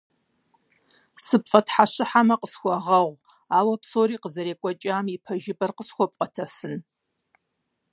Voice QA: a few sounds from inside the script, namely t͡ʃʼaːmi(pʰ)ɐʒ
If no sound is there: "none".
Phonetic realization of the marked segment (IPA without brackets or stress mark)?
pʰ